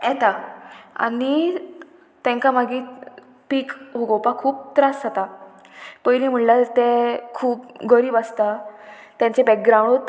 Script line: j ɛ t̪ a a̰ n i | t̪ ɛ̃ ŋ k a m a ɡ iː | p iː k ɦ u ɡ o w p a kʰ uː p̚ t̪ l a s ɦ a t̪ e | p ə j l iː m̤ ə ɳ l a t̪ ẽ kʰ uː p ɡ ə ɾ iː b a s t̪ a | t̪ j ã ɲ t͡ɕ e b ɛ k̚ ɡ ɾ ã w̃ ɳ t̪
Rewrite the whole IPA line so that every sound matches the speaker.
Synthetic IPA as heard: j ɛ t̪ a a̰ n i | t̪ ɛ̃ ŋ k a m a ɡ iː | p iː k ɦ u ɡ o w p a kʰ uː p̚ t̪ ɾ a s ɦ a t̪ a | p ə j l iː m̤ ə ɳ l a t̪ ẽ kʰ uː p ɡ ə ɾ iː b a s t̪ a | t̪ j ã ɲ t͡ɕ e b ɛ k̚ ɡ ɾ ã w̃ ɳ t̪